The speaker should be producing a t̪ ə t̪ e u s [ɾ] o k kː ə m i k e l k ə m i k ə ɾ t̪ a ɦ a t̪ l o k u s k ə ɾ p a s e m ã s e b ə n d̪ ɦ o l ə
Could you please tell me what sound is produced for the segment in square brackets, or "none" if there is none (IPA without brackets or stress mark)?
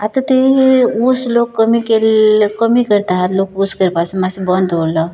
l